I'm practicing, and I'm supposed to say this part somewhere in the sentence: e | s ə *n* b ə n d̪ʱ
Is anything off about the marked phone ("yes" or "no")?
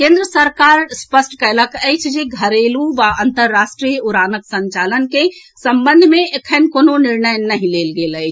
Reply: yes